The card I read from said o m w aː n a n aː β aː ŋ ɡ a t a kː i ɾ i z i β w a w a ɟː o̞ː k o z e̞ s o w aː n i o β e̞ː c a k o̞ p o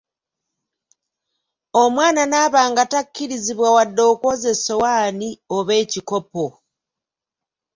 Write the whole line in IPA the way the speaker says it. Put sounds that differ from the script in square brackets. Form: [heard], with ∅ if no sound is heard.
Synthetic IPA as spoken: o m w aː n a n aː β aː ŋ ɡ a t a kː i ɾ i z i β w a w a [dː] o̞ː k o z e̞ s o w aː n i o β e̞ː c [i] k o̞ p o

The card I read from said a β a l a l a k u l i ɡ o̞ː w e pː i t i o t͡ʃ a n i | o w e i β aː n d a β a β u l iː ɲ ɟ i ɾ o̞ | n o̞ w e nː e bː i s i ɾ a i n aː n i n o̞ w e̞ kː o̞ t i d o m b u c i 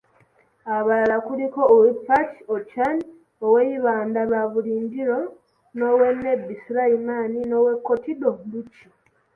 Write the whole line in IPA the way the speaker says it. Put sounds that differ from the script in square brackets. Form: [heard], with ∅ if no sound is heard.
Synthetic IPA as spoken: a β a l a l a k u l i [k] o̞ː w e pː [a] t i o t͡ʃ a n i | o w e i β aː n d a β a β u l iː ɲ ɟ i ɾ o̞ | n o̞ w e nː e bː i s i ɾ a i [m] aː n i n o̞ w e̞ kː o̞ t i d o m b u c i

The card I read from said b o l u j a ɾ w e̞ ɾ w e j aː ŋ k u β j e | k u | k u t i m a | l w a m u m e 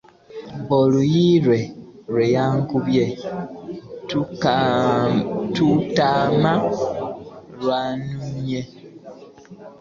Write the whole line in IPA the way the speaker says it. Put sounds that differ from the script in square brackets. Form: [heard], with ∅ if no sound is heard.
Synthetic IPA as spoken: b o l u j [i] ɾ w e̞ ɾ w e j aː ŋ k u β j e | [t] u | [t] u t [a] m a | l w a [n] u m e

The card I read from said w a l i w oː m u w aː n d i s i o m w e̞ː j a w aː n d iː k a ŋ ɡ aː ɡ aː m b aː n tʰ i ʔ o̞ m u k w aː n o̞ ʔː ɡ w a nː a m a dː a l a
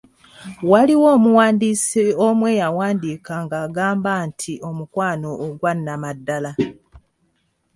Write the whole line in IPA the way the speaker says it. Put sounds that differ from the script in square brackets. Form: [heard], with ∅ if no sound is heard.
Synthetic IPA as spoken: w a l i w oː m u w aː n d i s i o m w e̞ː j a w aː n d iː k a ŋ ɡ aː ɡ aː m b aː n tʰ i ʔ o̞ m u k w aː n o̞ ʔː ɡ w a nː a m a dː a l a

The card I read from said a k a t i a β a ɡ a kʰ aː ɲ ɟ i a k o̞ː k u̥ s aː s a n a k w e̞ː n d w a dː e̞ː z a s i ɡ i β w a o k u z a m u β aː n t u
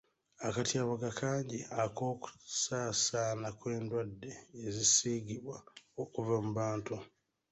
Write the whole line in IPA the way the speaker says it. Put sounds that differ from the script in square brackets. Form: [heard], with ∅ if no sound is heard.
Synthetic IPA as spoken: a k a t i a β a ɡ a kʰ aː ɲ ɟ i a k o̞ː k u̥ s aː s a n a k w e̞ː n d w a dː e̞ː z [i] s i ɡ i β w a o k u [v] a m u β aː n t u

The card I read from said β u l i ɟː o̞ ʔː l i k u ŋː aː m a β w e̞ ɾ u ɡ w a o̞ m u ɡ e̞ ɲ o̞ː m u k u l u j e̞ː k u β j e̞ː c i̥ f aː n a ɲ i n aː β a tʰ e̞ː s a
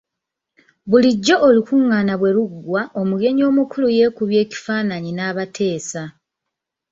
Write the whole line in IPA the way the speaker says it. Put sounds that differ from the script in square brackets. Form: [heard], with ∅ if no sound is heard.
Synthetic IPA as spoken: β u l i ɟː o̞ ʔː l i k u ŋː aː [n] a β w e̞ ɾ u ɡ w a o̞ m u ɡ e̞ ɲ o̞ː m u k u l u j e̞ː k u β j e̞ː c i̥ f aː n a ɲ i n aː β a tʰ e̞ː s a

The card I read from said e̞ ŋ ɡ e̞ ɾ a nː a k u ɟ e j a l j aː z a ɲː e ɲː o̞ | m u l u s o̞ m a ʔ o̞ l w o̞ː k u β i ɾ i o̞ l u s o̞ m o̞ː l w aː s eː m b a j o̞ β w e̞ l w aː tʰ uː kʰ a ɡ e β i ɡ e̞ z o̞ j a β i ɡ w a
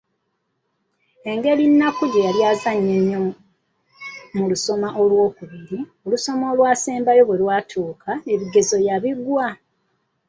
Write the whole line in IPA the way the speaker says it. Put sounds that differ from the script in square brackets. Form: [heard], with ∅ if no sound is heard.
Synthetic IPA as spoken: e̞ ŋ ɡ e̞ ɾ [i] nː a k u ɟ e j a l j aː z a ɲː e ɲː o̞ | m u l u s o̞ m a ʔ o̞ l w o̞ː k u β i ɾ i o̞ l u s o̞ m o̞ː l w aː s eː m b a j o̞ β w e̞ l w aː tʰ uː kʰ a [∅] e β i ɡ e̞ z o̞ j a β i ɡ w a

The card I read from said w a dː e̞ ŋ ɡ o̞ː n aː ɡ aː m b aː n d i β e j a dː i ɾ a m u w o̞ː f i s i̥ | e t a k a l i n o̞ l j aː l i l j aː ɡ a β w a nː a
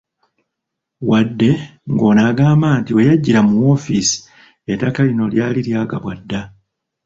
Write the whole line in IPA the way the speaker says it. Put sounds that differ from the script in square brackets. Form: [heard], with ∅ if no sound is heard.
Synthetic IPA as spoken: w a dː e̞ ŋ ɡ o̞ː n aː ɡ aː m b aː n [t] i [w] e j a [ɟː] i ɾ a m u w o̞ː f i s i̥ | e t a k a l i n o̞ l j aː l i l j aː ɡ a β w a [dː] a

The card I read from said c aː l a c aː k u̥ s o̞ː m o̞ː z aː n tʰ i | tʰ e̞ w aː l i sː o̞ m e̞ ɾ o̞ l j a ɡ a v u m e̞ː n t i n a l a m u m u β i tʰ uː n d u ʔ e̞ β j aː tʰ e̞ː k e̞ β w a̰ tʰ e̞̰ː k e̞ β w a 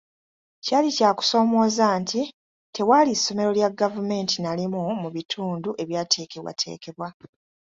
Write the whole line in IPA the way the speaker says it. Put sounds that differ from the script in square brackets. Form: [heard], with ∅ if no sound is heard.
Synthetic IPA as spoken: c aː l [i] c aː k u̥ s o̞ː m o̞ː z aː n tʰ i | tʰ e̞ w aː l i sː o̞ m e̞ ɾ o̞ l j a ɡ a v u m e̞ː n t i n a l [i] m u m u β i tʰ uː n d u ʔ e̞ β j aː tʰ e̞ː k e̞ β w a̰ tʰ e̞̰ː k e̞ β w a

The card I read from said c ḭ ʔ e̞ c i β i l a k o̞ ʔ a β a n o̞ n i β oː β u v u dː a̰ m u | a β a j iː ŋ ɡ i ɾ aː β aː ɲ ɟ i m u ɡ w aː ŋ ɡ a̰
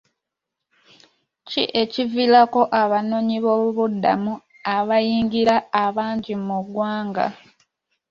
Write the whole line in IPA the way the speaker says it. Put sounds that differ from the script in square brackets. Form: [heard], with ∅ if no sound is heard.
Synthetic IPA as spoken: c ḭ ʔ e̞ c i [v] i l a k o̞ ʔ a β a n o̞ [ɲ] i β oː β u [β] u dː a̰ m u | a β a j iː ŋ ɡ i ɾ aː β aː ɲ ɟ i m u ɡ w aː ŋ ɡ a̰

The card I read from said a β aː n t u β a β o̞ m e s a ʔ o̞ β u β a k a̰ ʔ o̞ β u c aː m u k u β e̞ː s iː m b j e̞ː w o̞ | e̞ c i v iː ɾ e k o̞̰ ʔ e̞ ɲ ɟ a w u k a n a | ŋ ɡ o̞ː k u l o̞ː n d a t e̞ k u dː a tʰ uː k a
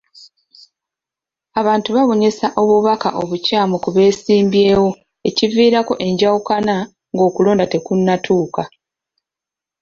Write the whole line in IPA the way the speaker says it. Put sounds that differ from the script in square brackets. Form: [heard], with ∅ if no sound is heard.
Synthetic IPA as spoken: a β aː n t u β a β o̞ [ɲ] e s a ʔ o̞ β u β a k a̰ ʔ o̞ β u c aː m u k u β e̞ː s iː m b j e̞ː w o̞ | e̞ c i v iː ɾ [a] k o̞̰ ʔ e̞ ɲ ɟ a w u k a n a | ŋ ɡ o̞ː k u l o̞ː n d a t e̞ k u [nː] a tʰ uː k a

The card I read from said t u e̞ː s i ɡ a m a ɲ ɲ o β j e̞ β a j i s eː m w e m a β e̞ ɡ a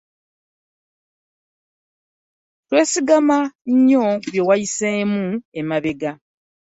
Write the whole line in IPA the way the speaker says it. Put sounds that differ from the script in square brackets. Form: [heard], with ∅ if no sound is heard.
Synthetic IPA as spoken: t [w] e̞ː s i ɡ a m a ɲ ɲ o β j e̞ [w] a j i s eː m [u] e m a β e̞ ɡ a

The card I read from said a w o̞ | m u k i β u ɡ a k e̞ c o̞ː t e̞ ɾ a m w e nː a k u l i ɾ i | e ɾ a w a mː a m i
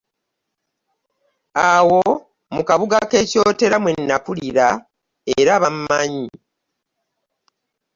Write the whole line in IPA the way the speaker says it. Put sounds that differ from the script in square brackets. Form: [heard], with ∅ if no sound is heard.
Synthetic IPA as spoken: a w o̞ | m u k [a] β u ɡ a k e̞ c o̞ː t e̞ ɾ a m w e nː a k u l i ɾ [a] | e ɾ a [β] a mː a [ɲ] i

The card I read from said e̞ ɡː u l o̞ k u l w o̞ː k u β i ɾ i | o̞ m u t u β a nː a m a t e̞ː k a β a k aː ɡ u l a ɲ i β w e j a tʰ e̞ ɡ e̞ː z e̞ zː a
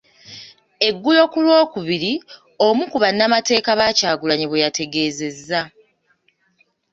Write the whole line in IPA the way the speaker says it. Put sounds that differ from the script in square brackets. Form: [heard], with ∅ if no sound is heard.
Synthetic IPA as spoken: e̞ ɡː u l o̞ k u l w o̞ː k u β i ɾ i | o̞ m u [k] u β a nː a m a t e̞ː k a β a [c] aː ɡ u l a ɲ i β w e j a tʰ e̞ ɡ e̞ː z e̞ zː a

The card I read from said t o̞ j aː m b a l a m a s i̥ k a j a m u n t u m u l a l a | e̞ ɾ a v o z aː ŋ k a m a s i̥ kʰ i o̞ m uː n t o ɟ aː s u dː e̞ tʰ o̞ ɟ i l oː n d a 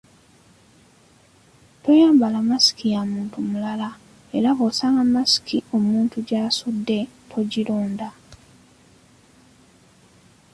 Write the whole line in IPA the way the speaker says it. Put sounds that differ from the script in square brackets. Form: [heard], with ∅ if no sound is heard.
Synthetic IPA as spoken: t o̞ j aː m b a l a m a s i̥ k [i] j a m [uː] n t u m u l a l a | e̞ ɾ a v o [s] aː ŋ [ɡ] a m a s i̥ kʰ i o̞ m uː n t [u] ɟ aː s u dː e̞ tʰ o̞ ɟ i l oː n d a

